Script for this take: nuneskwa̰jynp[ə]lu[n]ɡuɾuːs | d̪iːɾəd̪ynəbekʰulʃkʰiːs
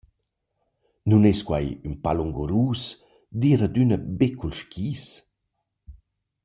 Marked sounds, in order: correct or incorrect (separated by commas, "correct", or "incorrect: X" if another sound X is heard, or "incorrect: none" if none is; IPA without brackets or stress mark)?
incorrect: a, incorrect: ŋ